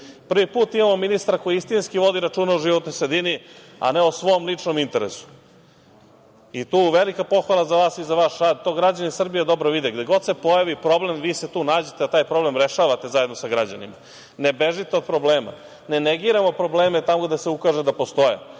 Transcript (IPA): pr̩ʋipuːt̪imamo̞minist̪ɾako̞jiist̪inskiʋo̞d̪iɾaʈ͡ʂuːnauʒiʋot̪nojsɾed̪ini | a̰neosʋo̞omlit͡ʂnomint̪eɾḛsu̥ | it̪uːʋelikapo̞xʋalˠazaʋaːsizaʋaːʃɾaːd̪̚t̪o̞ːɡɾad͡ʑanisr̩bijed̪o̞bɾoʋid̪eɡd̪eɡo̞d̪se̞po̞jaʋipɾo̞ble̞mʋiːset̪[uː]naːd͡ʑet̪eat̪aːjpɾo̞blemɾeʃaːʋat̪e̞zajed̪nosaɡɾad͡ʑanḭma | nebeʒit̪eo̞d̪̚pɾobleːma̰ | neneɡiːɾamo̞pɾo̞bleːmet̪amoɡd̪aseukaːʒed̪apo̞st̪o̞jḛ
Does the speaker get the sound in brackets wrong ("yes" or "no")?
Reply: no